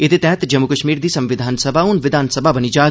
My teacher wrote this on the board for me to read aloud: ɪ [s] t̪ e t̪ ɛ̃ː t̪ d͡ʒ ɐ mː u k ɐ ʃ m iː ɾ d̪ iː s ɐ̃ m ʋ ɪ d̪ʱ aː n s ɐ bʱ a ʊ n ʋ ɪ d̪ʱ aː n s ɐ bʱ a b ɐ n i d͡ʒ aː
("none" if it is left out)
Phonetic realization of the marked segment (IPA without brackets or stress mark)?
none